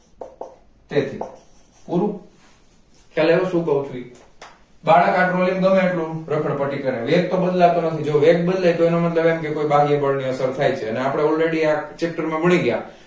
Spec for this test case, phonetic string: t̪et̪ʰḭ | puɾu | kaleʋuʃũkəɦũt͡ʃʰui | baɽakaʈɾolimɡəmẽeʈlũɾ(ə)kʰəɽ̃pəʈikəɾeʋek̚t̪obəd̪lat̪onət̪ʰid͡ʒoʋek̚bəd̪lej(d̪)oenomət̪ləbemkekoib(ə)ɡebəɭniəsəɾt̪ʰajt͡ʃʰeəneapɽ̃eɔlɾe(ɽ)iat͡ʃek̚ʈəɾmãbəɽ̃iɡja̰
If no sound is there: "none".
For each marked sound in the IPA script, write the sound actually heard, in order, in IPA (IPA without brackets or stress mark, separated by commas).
ə, t̪, a, ɽ